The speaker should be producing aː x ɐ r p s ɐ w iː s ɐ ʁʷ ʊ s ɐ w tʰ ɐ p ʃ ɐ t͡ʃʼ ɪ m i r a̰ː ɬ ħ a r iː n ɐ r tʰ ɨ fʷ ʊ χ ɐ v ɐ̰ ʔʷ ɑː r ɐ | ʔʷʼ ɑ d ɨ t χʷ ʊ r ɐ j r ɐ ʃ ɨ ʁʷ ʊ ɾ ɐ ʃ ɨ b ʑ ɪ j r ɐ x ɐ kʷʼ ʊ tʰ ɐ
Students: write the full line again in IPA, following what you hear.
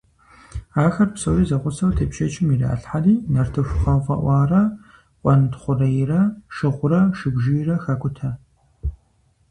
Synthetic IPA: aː x ɐ r p s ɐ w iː z ɐ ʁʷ ʊ s ɐ w tʰ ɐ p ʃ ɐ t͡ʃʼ ɪ m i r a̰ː ɬ ħ a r iː n ɐ r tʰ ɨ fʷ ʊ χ ɐ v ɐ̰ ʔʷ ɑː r ɐ | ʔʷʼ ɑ n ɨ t χʷ ʊ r ɐ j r ɐ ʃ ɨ ʁʷ ʊ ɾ ɐ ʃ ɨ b ʒ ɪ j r ɐ x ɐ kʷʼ ʊ tʰ ɐ

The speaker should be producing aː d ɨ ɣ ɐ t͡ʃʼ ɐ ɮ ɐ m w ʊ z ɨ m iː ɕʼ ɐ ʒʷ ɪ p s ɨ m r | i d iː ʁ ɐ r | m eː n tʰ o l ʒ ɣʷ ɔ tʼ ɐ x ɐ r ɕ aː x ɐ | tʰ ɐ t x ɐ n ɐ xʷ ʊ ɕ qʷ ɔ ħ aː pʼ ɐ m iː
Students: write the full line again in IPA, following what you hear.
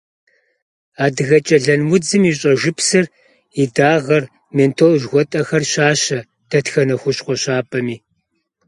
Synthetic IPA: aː d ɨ ɣ ɐ t͡ʃʼ ɐ ɮ ɐ n w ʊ d͡z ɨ m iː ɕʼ ɐ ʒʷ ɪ p s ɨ r | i d aː ʁ ɐ r | m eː n tʰ o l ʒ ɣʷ ɔ tʼ ɐ x ɐ r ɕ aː ɕ ɐ | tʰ ɐ t x ɐ n ɐ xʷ ʊ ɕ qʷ ɔ ɕ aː pʼ ɐ m iː

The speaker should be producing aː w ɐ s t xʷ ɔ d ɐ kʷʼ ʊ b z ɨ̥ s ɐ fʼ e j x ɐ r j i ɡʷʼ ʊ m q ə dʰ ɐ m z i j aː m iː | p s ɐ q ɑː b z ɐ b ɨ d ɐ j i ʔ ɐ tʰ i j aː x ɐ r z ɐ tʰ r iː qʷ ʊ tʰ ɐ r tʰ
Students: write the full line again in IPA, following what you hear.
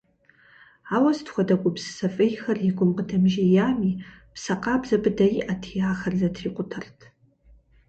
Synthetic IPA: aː w ɐ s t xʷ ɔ d ɐ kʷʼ ʊ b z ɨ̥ s ɐ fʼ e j x ɐ r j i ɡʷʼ ʊ m q ə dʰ ɐ m ʒ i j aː m iː | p s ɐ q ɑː b z ɐ b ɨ d ɐ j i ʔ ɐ tʰ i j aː x ɐ r z ɐ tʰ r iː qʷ ʊ tʰ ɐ r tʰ

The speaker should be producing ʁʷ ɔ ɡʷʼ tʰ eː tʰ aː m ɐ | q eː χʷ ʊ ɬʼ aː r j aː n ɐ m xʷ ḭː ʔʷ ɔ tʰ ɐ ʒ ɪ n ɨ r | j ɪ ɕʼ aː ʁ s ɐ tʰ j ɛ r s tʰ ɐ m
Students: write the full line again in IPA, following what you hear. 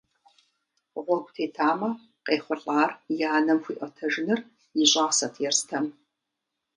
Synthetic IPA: ʁʷ ɔ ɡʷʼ tʰ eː tʰ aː m ɐ | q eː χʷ ʊ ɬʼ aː r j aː n ɐ m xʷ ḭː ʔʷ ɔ tʰ ɐ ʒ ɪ n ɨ r | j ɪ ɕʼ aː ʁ s ɐ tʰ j ɛ r s tʰ ɐ m

